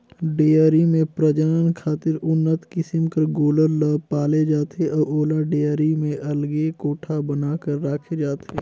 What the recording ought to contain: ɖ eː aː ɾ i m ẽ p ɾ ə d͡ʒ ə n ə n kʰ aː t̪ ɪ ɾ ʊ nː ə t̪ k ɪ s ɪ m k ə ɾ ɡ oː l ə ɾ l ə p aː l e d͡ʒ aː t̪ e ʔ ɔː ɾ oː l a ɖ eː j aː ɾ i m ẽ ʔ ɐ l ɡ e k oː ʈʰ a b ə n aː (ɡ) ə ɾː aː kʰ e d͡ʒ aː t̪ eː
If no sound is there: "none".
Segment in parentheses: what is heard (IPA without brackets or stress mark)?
k